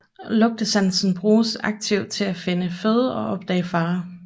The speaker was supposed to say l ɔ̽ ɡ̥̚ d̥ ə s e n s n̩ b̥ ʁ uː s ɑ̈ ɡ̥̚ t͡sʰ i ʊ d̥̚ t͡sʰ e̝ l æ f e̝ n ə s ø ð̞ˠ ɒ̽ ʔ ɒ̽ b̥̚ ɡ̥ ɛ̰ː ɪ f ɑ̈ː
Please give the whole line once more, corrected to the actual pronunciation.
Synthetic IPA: l ɔ̽ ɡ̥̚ d̥ ə s æ n s n̩ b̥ ʁ uː s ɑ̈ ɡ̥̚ t͡sʰ i ʊ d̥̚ t͡sʰ e̝ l æ f e̝ n ə f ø ð̞ˠ ɒ̽ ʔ ɒ̽ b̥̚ d̥ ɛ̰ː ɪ f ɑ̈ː